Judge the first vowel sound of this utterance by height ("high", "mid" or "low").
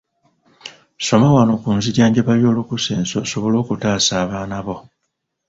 mid